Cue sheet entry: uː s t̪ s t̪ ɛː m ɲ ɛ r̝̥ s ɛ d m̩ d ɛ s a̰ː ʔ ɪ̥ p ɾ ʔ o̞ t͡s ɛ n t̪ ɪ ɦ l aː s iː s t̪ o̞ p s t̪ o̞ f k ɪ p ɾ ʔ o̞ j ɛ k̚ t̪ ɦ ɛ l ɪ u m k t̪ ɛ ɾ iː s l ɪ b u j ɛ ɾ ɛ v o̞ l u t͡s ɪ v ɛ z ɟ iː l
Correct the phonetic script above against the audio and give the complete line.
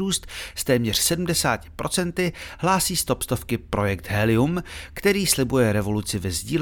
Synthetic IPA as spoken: uː s t̪ s t̪ ɛː m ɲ ɛ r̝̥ s ɛ d m̩ d ɛ s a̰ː c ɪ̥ p ɾ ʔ o̞ t͡s ɛ n t̪ ɪ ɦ l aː s iː s t̪ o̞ p s t̪ o̞ f k ɪ p ɾ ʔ o̞ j ɛ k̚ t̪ ɦ ɛ l ɪ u m k t̪ ɛ ɾ iː s l ɪ b u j ɛ ɾ ɛ v o̞ l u t͡s ɪ v ɛ z ɟ iː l